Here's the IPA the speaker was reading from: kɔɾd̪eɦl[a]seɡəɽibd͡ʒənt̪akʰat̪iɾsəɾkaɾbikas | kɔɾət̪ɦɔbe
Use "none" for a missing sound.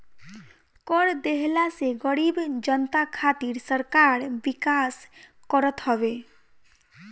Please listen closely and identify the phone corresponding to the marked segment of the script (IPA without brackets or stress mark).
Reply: a